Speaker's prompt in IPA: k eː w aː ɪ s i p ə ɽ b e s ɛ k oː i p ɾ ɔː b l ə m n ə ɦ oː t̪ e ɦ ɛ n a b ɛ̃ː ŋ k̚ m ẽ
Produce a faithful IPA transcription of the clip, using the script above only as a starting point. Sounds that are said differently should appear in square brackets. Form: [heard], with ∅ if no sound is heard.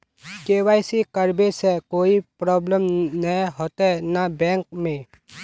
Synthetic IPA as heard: k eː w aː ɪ s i [k] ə [ɾ] b e s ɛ k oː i p ɾ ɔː b l ə m n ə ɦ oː t̪ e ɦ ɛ n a b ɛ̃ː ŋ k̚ m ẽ